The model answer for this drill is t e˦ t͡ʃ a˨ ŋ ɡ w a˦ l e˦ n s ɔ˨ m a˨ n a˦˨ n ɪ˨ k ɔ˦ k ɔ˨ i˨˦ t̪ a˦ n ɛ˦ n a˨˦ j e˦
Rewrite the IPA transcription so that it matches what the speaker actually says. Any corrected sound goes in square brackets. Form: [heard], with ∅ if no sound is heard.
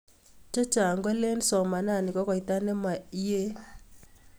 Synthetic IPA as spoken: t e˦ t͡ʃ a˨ ŋ ɡ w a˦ l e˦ n s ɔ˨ m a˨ n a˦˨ n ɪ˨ k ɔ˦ k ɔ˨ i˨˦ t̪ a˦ n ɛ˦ [m] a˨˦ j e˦